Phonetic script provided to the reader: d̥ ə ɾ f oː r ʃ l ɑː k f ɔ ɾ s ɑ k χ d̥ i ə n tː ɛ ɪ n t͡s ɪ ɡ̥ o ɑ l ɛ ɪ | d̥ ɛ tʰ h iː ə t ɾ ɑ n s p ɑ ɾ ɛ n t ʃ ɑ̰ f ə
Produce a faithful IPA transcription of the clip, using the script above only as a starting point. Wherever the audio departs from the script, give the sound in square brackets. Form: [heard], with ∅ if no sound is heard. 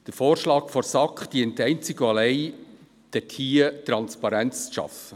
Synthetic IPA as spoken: d̥ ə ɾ f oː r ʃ l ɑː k f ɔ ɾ s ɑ k χ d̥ i ə n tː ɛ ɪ n t͡s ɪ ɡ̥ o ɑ l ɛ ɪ | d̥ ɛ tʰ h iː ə t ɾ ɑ n s p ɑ ɾ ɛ n [t͡s] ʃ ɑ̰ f ə